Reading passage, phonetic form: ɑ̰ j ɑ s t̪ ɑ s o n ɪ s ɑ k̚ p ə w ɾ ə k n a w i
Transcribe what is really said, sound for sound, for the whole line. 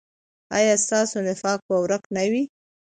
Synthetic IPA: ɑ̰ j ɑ s t̪ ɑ s o n ɪ f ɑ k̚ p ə w ɾ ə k n a w i